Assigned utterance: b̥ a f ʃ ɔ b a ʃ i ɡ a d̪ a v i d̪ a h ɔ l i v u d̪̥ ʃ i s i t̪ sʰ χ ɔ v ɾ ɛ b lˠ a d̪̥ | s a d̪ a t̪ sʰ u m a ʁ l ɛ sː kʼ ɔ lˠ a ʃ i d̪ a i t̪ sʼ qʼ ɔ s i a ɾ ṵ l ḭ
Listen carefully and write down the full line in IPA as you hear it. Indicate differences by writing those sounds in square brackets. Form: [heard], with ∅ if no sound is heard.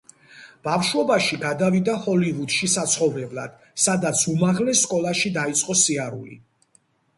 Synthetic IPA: b̥ a f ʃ ɔ b a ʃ i ɡ a d̪ a v i d̪ a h ɔ l i v u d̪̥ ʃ i s [a] t̪ sʰ χ ɔ v ɾ ɛ b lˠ a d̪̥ | s a d̪ a t̪ sʰ u m a ʁ l ɛ sː kʼ ɔ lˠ a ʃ i d̪ a i t̪ sʼ qʼ ɔ s i a ɾ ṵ l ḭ